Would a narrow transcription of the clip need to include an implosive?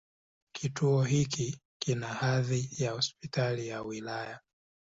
no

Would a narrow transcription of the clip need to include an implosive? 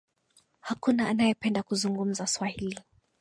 no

